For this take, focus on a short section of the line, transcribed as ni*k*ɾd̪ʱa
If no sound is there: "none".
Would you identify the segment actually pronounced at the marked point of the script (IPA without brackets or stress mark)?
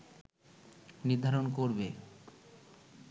none